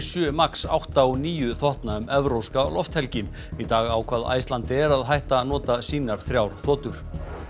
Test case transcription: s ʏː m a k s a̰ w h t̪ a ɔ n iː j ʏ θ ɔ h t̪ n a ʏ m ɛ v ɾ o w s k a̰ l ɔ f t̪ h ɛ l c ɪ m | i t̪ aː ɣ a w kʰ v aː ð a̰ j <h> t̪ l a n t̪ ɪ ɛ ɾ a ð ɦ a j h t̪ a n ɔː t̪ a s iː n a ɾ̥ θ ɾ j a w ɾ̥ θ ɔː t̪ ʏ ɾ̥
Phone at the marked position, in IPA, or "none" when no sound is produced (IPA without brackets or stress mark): s